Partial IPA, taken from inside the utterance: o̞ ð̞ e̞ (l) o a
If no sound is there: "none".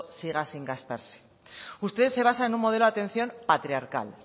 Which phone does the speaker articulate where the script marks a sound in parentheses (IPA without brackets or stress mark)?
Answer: l